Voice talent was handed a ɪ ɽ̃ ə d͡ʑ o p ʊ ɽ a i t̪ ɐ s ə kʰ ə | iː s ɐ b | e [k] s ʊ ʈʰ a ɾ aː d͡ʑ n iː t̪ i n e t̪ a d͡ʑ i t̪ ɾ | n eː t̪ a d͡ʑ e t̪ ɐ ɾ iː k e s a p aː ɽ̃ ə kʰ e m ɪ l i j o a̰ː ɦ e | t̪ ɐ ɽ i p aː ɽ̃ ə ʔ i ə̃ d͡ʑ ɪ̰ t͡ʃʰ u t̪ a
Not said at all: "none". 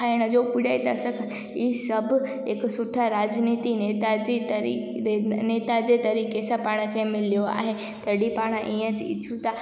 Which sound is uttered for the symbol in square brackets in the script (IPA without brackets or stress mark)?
k